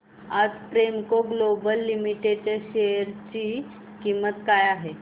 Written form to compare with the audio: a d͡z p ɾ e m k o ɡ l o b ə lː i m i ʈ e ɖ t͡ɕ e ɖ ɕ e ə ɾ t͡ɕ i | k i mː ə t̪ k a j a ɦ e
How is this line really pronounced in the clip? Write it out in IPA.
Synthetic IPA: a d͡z p ɾ e m k o ɡ l o b ə lː i m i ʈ e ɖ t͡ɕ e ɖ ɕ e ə ɾ t͡ɕ i | k i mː ə t̪ k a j a ɦ e